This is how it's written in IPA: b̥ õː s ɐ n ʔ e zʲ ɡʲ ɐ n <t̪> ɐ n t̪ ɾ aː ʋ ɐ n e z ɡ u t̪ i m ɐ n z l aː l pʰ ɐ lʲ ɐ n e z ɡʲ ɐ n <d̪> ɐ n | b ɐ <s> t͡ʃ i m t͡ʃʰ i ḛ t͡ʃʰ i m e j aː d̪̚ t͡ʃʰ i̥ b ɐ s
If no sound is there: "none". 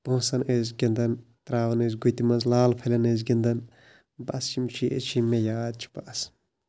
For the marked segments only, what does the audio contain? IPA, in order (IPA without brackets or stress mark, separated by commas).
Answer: d̪, d̪, s